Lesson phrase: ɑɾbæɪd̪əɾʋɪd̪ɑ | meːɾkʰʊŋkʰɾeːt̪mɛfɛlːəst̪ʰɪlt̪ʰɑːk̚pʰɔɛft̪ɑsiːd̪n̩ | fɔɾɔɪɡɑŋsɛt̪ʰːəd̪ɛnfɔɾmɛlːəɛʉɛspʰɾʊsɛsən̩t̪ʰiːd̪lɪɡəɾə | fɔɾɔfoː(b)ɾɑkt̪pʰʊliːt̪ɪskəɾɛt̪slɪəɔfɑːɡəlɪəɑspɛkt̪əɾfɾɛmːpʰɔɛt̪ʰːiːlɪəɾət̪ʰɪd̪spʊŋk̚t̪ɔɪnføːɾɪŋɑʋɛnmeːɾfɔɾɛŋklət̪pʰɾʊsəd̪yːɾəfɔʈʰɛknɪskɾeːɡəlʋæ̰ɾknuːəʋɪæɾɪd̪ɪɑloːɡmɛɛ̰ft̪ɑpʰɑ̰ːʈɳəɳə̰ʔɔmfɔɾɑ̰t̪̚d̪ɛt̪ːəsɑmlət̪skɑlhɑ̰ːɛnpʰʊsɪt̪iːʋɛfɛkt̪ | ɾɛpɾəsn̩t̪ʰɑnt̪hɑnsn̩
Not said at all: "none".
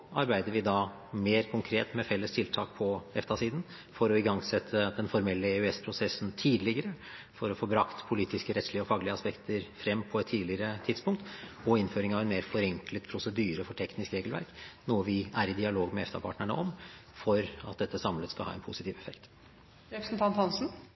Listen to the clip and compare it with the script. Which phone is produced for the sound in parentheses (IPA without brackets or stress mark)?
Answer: b